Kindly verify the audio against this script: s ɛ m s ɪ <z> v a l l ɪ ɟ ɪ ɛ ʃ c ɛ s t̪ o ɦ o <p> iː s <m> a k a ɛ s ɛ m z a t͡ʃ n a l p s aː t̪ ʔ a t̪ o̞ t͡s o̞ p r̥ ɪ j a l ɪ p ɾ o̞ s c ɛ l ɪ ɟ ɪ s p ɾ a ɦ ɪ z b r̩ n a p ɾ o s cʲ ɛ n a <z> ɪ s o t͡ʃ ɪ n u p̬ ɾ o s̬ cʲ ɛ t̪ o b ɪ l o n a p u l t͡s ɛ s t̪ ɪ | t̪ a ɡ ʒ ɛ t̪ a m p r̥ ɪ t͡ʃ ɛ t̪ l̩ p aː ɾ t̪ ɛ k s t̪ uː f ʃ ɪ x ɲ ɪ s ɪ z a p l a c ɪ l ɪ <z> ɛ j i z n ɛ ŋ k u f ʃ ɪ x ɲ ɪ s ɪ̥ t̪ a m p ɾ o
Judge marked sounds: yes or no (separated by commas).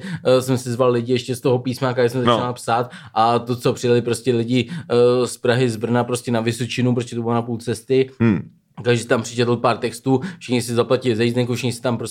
yes, yes, yes, no, yes